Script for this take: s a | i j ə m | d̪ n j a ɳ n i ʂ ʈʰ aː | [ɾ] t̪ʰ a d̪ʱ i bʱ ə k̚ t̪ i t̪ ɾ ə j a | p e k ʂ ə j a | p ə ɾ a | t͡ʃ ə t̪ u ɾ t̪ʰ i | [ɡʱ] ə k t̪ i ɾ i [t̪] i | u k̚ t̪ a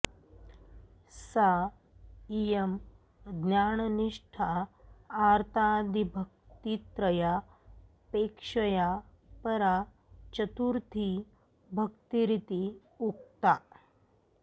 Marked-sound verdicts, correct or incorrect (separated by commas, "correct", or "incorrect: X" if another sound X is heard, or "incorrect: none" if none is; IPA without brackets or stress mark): correct, incorrect: bʱ, correct